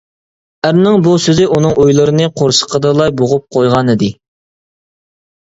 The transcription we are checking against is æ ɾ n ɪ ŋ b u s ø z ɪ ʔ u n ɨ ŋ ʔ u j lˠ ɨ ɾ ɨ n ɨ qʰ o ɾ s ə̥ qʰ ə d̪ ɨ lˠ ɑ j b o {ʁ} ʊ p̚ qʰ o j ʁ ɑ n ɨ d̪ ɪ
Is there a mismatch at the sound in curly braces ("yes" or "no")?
no